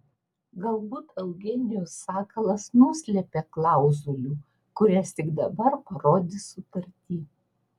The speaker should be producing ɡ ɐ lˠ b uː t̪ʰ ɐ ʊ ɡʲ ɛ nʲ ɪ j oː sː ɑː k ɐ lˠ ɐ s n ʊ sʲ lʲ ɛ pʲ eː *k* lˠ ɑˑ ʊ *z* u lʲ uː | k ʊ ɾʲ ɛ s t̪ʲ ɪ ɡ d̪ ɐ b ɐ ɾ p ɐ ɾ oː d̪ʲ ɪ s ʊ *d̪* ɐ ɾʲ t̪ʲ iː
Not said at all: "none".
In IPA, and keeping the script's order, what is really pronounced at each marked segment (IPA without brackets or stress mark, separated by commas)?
k, z, t̪